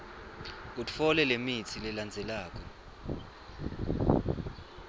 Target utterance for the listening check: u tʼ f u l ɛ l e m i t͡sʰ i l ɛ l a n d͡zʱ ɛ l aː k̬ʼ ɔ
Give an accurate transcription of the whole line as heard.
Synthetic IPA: u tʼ f ɔ l ɛ l e m i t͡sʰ i l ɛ l a n d͡zʱ ɛ l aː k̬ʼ ɔ